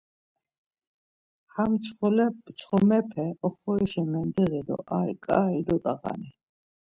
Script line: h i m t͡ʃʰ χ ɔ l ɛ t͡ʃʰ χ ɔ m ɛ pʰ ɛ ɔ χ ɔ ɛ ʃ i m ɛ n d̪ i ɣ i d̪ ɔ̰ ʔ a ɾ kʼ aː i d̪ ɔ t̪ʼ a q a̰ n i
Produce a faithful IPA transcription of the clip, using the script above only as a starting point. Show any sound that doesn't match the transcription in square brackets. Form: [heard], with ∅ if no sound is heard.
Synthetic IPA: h [a] m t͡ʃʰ χ ɔ l ɛ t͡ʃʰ χ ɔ m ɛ pʰ ɛ ɔ χ ɔ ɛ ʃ [ɛ] m ɛ n d̪ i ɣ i d̪ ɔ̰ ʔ a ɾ kʼ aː i d̪ ɔ t̪ʼ a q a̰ n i